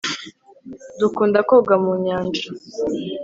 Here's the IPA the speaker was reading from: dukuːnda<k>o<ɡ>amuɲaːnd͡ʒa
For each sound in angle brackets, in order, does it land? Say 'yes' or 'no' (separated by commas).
yes, yes